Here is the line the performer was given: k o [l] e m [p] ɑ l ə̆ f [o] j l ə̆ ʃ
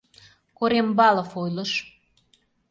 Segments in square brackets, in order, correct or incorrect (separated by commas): incorrect, incorrect, correct